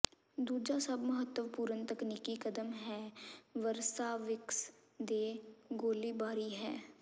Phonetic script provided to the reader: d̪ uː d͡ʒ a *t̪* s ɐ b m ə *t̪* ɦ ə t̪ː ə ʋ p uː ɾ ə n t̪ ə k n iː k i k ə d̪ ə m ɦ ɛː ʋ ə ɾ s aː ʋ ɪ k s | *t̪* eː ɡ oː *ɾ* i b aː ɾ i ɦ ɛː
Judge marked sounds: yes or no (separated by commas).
no, no, no, no